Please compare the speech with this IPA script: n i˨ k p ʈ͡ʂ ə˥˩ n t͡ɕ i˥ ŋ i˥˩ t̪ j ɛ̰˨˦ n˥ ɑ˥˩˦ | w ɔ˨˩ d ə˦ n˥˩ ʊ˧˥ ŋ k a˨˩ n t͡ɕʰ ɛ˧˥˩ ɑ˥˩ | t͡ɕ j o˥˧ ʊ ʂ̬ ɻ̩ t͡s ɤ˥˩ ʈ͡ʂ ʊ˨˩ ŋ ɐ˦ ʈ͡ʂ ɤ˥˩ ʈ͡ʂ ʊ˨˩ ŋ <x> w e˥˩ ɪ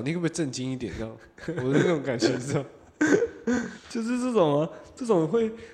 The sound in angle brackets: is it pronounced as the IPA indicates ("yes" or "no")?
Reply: yes